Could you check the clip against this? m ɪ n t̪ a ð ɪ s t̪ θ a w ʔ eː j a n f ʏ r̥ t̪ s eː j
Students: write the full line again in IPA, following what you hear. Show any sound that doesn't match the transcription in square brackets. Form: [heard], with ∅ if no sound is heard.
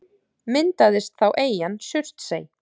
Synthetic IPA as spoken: m ɪ n t̪ a ð ɪ s t̪ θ a w ʔ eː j a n [s] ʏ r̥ t̪ s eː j